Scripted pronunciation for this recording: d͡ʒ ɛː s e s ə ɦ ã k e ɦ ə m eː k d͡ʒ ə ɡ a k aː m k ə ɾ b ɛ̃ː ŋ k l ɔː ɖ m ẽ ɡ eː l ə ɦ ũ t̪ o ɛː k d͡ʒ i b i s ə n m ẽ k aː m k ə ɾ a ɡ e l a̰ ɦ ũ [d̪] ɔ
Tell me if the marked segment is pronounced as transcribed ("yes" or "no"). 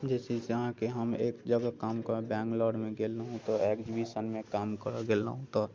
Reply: no